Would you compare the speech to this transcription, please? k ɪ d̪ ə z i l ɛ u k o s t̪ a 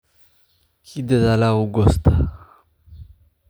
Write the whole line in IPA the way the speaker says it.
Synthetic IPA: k i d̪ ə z a l a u ɡ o s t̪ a